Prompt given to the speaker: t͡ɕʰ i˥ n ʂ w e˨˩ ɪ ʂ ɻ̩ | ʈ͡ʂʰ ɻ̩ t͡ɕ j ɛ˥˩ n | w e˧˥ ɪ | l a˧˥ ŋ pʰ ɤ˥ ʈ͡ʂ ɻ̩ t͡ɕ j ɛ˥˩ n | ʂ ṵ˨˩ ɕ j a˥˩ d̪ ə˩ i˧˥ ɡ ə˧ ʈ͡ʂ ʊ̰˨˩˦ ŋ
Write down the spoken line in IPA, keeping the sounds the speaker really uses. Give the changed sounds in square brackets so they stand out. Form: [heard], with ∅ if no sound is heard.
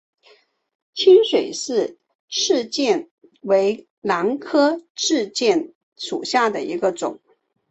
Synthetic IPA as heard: t͡ɕʰ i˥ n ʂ w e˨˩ ɪ ʂ ɻ̩ | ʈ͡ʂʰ ɻ̩ t͡ɕ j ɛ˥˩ n | w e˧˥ ɪ | l a˧˥ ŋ [kʰ] ɤ˥ ʈ͡ʂ ɻ̩ t͡ɕ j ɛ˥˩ n | ʂ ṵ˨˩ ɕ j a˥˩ d̪ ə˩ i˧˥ ɡ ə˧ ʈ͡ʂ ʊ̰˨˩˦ ŋ